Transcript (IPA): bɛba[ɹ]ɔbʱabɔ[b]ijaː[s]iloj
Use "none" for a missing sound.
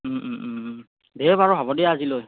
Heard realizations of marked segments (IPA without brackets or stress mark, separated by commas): ɹ, d, z